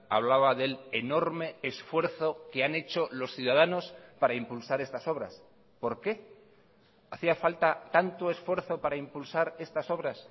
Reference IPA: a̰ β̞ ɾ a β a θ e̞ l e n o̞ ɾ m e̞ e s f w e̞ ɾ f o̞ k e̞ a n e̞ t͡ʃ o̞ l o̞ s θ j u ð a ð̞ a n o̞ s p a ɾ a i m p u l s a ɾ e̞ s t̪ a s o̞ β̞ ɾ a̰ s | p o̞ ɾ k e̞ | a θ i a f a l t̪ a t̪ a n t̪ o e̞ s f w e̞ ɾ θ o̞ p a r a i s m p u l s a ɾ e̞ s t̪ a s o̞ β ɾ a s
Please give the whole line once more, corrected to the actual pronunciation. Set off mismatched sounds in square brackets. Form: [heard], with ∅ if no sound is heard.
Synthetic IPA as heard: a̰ β̞ [l] a β a [ð] e̞ l e n o̞ ɾ m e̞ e s f w e̞ ɾ [θ] o̞ k e̞ a n e̞ t͡ʃ o̞ l o̞ s θ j u ð a ð̞ a n o̞ s p a ɾ a i m p u l s a ɾ e̞ s t̪ a s o̞ β̞ ɾ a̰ s | p o̞ ɾ k e̞ | a θ i a f a l t̪ a t̪ a n t̪ o e̞ s f w e̞ ɾ θ o̞ p a [ɾ] a i [∅] m p u l s a ɾ e̞ s t̪ a s o̞ β ɾ a s